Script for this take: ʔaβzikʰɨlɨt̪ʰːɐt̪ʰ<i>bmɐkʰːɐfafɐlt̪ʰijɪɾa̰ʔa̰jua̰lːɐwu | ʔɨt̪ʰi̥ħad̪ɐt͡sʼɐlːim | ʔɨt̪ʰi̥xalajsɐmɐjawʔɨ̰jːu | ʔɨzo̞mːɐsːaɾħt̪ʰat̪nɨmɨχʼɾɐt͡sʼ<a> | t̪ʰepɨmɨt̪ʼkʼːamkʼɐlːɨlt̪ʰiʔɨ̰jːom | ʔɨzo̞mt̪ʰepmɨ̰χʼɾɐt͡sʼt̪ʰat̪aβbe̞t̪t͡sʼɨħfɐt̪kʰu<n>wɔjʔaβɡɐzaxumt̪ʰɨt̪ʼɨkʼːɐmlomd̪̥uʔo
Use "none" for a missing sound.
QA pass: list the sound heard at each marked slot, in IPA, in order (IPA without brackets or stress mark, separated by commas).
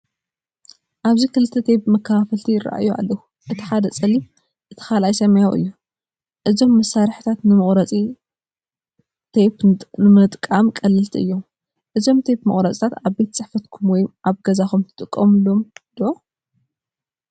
e, i, m